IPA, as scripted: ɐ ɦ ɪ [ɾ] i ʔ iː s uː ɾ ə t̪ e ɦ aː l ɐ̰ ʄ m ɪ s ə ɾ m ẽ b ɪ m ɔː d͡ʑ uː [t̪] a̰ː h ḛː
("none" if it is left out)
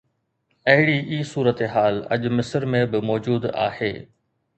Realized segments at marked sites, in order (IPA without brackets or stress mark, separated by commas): ɽ, d̪